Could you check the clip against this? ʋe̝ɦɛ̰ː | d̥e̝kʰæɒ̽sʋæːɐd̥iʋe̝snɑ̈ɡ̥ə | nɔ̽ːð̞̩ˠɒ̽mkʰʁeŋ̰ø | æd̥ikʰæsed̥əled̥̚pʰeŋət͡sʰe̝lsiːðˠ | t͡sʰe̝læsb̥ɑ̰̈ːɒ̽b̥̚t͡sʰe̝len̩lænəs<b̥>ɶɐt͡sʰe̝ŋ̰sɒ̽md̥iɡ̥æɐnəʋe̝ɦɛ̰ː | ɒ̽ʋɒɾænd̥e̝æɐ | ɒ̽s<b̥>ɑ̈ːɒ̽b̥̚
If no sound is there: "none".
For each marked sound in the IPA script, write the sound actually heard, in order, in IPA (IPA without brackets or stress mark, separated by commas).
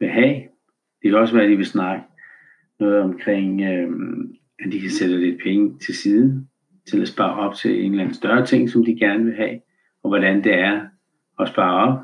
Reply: d̥, b̥